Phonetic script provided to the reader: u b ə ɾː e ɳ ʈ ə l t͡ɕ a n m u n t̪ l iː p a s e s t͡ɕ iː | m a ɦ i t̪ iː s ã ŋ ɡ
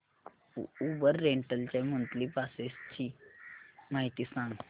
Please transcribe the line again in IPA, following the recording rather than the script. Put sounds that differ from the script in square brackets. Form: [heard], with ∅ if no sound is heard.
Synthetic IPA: u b ə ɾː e ɳ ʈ ə l t͡ɕ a [∅] m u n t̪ l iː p a s e s t͡ɕ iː | m a ɦ i t̪ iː s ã ŋ ɡ